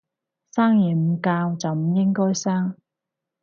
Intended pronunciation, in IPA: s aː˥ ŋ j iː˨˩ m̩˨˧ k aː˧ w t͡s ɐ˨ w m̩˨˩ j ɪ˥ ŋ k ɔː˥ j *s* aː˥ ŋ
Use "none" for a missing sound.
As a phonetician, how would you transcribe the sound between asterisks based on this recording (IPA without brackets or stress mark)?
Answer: s